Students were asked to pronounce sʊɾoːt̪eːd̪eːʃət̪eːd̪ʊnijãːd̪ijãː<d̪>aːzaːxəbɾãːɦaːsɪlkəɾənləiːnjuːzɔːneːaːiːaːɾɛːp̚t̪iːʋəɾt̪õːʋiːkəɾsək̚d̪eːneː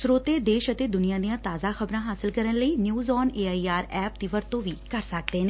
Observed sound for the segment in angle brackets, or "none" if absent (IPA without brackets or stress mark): t̪